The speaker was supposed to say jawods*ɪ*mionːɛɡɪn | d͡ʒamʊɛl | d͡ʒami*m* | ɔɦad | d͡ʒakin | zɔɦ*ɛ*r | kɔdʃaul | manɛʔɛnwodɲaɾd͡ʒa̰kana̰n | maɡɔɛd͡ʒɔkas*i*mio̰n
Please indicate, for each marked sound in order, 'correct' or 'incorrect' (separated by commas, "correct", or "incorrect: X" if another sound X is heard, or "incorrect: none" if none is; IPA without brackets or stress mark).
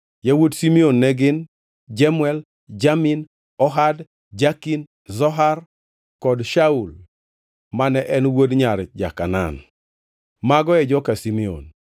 incorrect: i, incorrect: n, incorrect: a, correct